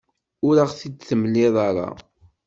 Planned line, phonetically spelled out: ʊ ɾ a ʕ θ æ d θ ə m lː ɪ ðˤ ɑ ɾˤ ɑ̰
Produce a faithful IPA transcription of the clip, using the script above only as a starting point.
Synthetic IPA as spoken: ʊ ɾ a ʁ θ i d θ ə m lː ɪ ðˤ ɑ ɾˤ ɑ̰

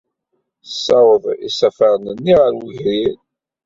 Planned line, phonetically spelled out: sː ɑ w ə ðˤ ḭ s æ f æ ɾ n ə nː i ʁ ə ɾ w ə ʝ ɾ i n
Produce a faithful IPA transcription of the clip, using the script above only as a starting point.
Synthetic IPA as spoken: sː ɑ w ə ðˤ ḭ s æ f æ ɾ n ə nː i ʁ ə ɾ w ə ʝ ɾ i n

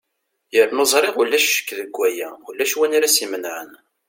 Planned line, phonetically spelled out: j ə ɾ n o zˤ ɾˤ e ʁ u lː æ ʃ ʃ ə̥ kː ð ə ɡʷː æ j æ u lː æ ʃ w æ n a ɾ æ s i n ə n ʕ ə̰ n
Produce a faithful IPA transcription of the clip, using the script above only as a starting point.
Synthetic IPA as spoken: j ə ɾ n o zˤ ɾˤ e ʁ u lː æ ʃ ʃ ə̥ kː ð ə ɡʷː æ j æ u lː æ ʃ w æ n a ɾ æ s i m ə n ʕ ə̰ n

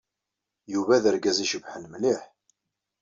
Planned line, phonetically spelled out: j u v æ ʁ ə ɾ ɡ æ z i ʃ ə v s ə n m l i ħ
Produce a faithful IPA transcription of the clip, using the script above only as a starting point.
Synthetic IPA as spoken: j u v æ ð ə ɾ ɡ æ z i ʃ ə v ħ ə n m l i ħ

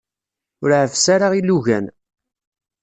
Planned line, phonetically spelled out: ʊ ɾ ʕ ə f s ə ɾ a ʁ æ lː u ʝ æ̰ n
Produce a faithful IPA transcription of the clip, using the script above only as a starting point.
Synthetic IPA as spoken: ʊ ɾ ʕ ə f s a ɾ a ʁ i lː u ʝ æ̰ n

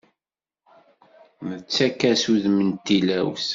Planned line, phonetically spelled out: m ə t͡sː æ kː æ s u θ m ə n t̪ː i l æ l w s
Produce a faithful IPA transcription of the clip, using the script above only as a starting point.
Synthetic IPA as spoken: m ə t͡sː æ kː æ s u ð m ə n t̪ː i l æ w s

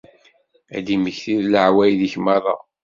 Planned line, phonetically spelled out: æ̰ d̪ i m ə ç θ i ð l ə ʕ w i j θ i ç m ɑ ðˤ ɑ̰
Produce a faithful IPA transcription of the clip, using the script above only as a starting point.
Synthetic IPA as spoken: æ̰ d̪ i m ə ç θ i ð l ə ʕ w æ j ð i ç m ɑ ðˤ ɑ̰

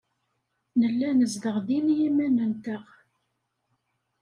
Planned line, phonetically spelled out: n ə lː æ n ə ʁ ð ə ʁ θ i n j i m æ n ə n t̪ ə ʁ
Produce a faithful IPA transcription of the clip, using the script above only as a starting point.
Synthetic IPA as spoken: n ə lː æ n ə z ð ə ʁ ð i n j i m æ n ə n t̪ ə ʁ

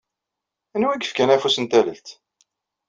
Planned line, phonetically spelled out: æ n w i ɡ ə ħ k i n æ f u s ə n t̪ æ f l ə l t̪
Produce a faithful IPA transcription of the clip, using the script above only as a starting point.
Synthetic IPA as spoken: æ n w æ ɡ ə f k æ n æ f u s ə n t̪ æ l ə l t̪

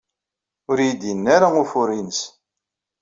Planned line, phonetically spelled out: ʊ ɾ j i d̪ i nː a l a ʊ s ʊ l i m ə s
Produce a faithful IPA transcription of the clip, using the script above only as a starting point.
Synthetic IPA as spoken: ʊ ɾ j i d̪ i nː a ɾ a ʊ f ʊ ɾ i n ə s

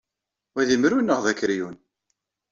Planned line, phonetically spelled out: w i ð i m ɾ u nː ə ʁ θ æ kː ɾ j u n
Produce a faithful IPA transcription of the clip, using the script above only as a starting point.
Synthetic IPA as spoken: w æ ð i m ɾ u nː ə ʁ ð æ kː ɾ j u n

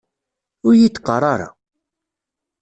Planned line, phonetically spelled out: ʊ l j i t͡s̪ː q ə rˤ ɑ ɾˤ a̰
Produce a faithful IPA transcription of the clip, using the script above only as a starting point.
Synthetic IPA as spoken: ʊ ɾ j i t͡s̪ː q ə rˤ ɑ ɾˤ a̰

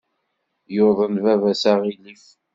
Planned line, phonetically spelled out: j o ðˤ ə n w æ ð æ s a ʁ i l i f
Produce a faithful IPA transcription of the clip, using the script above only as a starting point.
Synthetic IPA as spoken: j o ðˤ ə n v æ v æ s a ʁ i l i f

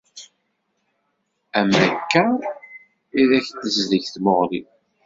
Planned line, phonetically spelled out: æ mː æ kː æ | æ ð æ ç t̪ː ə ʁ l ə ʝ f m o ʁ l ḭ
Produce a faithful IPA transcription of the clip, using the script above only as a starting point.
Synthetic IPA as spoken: æ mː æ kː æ | i ð æ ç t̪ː ə z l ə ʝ θ m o ʁ l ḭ

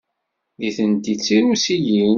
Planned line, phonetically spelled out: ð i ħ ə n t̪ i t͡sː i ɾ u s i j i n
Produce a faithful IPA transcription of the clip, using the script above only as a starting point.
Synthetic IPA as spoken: ð i θ ə n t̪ i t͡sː i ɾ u s i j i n

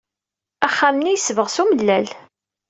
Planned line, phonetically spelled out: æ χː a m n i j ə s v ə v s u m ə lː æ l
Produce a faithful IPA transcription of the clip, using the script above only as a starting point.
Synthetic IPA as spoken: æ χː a m n i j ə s v ə ʁ s u m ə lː æ l

